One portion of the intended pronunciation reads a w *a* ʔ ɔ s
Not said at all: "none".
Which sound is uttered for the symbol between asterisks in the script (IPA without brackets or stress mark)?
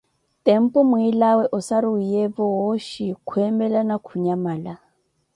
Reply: ɛ